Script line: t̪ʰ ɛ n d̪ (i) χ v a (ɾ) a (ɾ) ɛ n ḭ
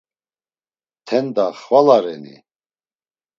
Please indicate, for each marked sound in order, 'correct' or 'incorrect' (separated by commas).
incorrect, incorrect, correct